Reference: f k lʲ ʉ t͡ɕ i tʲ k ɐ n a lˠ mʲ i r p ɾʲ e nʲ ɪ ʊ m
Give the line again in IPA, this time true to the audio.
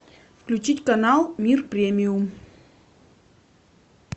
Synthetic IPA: f k lʲ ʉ t͡ɕ i tʲ k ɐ n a lˠ mʲ i r p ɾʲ e mʲ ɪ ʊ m